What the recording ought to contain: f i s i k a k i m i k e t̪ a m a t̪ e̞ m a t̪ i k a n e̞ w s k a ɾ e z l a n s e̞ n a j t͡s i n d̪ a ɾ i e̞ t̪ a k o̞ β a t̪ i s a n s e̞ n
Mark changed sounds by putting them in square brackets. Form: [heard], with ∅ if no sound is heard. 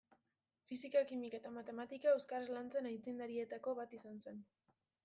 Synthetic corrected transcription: f i s i k a k i m i k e t̪ a m a t̪ e̞ m a t̪ i k a [∅] e̞ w s k a ɾ e z l a n [t͡s] e̞ n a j t͡s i n d̪ a ɾ i e̞ t̪ a k o̞ β a t̪ i s a n s e̞ n